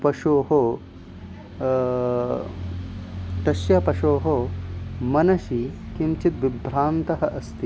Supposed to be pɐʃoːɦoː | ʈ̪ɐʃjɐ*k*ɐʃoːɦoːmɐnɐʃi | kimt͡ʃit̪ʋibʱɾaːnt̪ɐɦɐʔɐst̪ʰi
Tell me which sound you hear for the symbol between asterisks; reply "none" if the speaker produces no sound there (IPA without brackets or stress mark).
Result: p